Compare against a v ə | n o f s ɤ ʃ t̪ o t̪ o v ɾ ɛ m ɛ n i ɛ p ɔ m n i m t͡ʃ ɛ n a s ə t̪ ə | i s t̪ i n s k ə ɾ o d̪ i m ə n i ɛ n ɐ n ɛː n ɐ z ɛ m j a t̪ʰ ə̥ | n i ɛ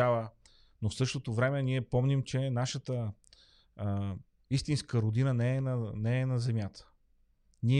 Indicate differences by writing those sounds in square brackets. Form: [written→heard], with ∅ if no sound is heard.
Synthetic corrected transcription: a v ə | n o f s ɤ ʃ t̪ o t̪ o v ɾ ɛ m ɛ n i ɛ p ɔ m n i m t͡ʃ ɛ n a [s→ʃ] ə t̪ ə | i s t̪ i n s k ə ɾ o d̪ i [m→n] ə n [i→ɛ] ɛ n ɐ n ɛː n ɐ z ɛ m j a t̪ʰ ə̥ | n i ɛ